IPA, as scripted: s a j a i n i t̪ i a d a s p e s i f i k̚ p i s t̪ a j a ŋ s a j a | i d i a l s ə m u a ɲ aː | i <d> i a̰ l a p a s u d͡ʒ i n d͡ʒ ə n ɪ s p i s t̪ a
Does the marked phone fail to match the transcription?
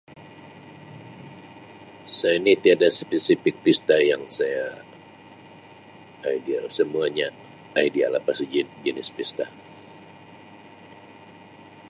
no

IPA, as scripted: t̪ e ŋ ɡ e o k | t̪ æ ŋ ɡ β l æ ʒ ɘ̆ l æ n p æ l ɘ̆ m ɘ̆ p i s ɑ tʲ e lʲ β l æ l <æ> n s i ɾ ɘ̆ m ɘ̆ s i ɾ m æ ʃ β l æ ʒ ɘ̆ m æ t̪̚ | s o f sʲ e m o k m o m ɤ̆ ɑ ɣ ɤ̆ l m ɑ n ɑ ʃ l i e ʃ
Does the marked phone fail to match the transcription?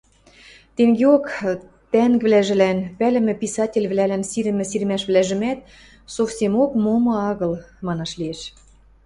no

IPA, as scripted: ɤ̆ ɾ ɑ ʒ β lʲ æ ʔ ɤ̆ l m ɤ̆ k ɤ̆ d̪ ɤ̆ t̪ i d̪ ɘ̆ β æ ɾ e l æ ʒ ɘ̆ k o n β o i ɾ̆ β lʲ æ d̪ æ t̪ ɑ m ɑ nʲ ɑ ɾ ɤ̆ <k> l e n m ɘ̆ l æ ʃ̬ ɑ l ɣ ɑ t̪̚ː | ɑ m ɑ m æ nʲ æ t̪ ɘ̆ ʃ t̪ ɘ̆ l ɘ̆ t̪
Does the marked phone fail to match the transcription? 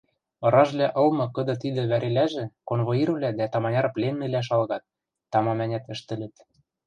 yes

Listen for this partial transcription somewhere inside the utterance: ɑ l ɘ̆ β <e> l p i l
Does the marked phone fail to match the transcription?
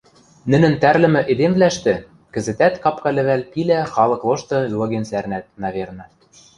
yes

